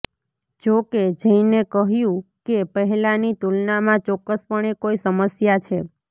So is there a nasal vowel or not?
yes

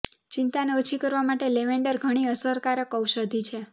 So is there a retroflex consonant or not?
yes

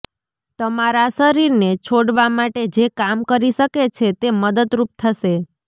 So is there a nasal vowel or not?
no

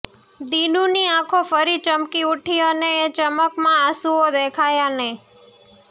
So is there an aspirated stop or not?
yes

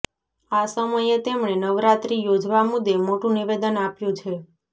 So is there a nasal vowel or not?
yes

